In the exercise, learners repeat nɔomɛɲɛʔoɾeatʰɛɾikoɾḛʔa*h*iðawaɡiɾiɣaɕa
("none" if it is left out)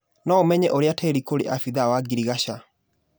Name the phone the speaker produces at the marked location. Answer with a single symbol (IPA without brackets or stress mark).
f